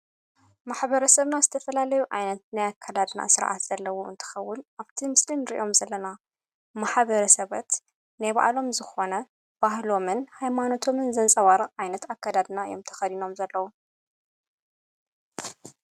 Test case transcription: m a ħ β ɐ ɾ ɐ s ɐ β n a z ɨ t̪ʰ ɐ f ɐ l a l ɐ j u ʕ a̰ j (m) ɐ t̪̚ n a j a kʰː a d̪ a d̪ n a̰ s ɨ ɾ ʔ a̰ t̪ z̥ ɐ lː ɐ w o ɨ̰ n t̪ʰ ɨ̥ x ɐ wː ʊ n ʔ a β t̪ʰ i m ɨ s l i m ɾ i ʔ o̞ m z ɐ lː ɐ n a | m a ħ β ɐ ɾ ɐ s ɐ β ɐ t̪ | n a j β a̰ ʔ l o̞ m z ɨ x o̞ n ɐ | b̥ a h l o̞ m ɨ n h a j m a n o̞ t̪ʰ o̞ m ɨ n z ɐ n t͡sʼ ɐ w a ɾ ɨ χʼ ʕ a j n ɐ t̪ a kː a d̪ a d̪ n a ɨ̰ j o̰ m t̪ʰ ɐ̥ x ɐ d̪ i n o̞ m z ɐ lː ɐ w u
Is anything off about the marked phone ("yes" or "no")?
yes